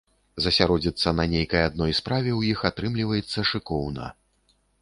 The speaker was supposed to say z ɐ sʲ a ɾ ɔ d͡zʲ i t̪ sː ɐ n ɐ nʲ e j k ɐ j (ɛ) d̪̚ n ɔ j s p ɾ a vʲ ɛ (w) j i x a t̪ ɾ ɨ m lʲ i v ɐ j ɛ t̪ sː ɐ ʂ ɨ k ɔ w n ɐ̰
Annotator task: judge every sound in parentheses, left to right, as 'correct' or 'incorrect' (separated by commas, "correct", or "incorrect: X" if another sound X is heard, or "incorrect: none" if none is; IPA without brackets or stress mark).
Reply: incorrect: a, correct